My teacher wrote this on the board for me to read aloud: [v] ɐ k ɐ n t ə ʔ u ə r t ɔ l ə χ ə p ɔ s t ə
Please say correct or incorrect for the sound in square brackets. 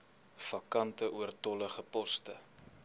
incorrect